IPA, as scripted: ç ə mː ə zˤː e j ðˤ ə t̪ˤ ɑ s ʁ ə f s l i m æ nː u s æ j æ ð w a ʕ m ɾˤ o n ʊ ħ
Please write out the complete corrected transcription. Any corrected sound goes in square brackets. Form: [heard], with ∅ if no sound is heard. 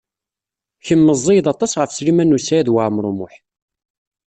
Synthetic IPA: ç ə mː ə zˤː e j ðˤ [ɑ] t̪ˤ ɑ s ʁ ə f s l i m æ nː u s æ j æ ð w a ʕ m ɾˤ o [m] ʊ ħ